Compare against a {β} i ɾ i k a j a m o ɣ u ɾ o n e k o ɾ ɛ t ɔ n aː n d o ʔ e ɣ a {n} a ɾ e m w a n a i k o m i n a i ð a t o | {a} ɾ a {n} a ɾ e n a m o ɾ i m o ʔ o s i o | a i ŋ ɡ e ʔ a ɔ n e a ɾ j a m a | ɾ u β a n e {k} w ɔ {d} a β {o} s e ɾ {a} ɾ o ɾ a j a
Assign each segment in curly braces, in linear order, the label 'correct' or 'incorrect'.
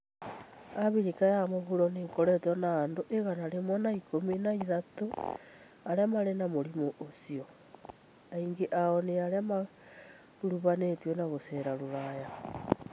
correct, correct, correct, incorrect: m, incorrect: t, incorrect: n, correct, correct

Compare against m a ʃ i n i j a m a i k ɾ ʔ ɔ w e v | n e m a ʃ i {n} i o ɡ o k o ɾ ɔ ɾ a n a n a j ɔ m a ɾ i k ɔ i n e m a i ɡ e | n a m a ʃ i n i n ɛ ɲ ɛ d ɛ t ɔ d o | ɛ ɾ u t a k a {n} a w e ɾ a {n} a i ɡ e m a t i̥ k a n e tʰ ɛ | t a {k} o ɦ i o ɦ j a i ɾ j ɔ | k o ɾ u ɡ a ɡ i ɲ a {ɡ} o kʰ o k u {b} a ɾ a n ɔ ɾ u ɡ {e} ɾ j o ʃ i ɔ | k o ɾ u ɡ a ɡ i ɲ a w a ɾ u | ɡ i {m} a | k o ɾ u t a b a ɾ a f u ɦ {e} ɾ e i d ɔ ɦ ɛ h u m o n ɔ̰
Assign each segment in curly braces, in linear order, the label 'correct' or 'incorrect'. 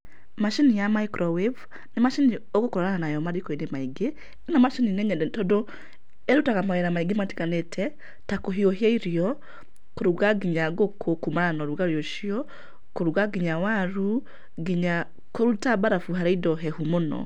correct, incorrect: m, incorrect: m, correct, correct, incorrect: m, incorrect: a, incorrect: ɲ, incorrect: a

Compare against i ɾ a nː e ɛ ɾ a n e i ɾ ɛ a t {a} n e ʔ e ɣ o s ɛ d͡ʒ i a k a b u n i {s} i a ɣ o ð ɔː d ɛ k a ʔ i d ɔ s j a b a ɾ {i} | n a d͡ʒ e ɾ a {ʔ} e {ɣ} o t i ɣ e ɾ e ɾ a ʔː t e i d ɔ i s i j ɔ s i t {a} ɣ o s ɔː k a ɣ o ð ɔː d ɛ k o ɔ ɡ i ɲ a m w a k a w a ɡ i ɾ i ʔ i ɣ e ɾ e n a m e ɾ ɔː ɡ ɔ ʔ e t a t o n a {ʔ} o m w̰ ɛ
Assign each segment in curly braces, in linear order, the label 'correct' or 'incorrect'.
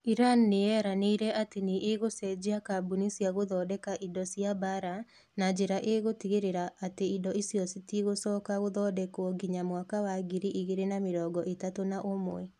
incorrect: e, correct, incorrect: a, correct, correct, incorrect: i, correct

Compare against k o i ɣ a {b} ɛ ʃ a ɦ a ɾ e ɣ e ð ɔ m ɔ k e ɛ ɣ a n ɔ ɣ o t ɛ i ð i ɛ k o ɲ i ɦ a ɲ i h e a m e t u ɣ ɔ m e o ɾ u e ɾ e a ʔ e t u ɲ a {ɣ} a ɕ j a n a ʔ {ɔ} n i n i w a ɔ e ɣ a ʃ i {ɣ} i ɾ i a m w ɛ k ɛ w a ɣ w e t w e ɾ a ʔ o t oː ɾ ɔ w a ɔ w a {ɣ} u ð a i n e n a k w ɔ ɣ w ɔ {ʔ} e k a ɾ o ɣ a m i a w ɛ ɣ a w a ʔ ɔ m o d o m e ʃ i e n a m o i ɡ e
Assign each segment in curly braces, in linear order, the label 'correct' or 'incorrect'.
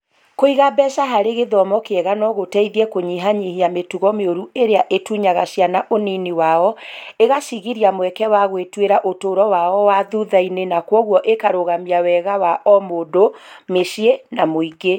correct, correct, incorrect: o, correct, incorrect: ð, correct

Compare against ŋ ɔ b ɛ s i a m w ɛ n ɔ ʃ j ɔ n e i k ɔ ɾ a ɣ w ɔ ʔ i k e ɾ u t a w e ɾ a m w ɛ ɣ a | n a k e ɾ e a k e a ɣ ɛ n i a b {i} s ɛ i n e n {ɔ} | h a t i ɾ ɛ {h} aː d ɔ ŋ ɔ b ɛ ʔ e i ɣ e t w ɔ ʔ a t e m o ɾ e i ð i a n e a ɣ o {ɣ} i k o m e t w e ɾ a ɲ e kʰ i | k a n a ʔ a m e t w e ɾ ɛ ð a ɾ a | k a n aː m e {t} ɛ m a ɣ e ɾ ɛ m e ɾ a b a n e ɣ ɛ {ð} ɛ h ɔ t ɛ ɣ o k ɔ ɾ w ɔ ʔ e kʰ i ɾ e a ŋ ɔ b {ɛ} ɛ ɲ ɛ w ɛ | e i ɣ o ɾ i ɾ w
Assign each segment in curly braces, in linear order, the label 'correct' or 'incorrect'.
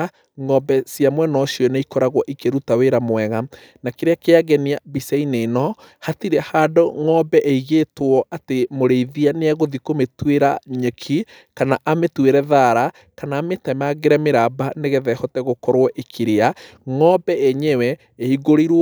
correct, correct, correct, incorrect: ð, correct, correct, correct

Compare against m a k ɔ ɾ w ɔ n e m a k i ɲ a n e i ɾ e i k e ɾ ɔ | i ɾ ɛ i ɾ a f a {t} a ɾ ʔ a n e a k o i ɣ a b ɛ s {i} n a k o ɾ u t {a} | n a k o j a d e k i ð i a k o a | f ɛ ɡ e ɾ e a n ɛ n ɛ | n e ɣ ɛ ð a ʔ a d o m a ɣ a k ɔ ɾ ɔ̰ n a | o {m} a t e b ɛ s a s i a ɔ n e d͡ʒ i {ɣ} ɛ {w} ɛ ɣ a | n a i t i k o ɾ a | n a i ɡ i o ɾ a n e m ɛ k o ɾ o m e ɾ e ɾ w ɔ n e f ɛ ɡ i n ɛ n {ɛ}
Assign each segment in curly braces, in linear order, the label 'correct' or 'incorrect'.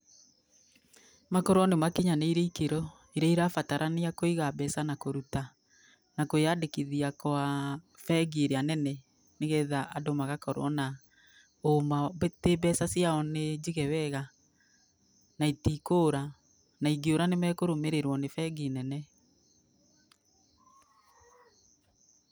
correct, incorrect: a, correct, correct, correct, correct, correct

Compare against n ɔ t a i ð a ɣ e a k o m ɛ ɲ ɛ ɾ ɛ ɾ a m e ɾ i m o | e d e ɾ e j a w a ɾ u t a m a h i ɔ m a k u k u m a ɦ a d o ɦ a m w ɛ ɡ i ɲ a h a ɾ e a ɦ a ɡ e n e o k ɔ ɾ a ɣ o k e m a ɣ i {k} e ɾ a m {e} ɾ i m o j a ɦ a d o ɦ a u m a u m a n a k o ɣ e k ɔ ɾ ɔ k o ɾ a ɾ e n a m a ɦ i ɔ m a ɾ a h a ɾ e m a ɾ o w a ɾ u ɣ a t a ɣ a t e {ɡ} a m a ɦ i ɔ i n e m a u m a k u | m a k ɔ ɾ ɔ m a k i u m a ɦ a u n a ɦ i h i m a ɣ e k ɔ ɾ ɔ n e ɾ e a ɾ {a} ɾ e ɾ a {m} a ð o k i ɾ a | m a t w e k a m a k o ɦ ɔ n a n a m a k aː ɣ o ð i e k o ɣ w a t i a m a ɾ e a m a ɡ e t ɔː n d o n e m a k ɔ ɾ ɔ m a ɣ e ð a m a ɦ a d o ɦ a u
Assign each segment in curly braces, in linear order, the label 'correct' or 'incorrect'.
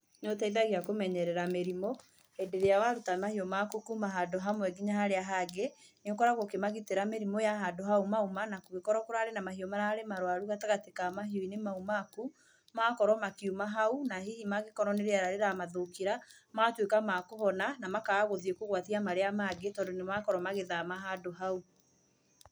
incorrect: t, correct, incorrect: k, correct, correct

